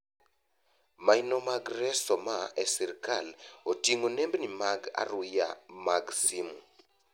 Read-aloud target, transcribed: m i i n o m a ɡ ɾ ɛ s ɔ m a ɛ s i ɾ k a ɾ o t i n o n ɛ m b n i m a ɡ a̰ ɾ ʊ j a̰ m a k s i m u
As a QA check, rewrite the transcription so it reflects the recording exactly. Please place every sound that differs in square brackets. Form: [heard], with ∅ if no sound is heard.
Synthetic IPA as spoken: m [a] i n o m a ɡ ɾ ɛ s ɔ m a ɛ s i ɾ k a [l] o t i [ŋ] o n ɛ m b n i m a ɡ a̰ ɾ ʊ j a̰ m a [ɡ] s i m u